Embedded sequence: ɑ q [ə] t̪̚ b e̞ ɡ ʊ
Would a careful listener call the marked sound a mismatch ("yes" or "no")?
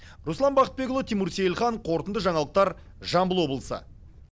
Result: no